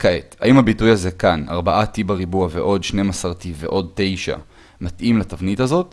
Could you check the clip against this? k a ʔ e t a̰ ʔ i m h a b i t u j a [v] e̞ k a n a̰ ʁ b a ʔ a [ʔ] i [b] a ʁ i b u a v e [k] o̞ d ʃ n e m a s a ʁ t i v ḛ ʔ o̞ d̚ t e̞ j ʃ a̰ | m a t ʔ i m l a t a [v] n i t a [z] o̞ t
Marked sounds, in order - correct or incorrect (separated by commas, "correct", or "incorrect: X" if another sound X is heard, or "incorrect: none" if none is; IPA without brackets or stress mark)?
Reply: incorrect: z, incorrect: t, correct, incorrect: ʔ, correct, correct